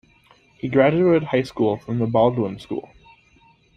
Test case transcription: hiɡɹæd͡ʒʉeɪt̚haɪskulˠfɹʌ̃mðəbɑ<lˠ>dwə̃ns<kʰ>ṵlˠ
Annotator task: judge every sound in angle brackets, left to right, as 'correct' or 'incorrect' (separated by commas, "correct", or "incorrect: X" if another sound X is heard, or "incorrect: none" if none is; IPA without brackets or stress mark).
correct, incorrect: k